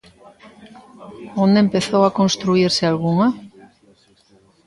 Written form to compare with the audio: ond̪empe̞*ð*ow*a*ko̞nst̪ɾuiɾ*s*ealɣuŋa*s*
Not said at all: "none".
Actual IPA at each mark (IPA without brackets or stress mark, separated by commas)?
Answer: θ, a, s, none